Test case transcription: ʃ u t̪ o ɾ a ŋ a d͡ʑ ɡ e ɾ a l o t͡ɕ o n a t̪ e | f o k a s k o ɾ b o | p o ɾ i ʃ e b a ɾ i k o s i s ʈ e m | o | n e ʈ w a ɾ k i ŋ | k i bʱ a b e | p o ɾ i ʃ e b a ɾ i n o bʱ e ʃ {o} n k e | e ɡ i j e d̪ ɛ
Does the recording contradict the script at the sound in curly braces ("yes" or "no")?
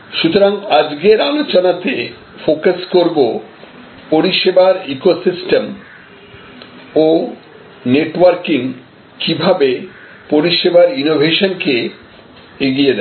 no